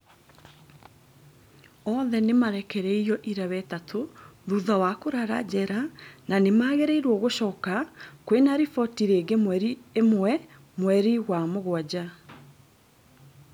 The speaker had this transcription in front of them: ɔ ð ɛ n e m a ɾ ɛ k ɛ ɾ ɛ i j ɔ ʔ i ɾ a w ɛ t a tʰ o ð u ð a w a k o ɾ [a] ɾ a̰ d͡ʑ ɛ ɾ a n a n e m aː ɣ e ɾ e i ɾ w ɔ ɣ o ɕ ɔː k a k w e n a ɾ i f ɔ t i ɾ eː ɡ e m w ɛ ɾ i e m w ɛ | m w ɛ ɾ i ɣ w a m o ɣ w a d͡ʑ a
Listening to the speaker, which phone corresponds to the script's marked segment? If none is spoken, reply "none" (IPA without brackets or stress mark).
a